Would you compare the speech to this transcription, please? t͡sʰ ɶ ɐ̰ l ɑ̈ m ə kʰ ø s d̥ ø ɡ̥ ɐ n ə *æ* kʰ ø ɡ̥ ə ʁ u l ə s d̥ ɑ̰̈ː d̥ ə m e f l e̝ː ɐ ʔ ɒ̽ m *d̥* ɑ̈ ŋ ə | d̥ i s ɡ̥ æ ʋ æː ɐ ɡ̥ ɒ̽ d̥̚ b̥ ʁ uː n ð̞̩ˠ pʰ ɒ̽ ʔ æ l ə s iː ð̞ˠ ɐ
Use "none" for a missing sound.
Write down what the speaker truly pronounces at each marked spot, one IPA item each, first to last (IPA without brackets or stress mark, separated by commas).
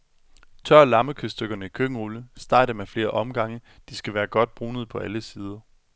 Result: i, ɡ̥